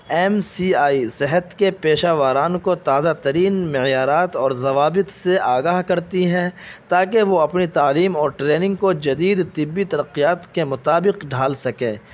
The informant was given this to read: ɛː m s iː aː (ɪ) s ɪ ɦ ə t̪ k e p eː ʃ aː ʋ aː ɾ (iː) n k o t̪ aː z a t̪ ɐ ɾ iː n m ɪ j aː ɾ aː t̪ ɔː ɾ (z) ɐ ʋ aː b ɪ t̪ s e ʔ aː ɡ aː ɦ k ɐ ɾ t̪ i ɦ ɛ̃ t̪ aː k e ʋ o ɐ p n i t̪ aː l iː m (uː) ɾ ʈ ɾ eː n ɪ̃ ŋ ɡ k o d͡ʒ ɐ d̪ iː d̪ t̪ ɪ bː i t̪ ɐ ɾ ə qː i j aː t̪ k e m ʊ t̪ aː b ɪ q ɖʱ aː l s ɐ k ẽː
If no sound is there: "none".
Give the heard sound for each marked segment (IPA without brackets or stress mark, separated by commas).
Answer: i, aː, z, ɔː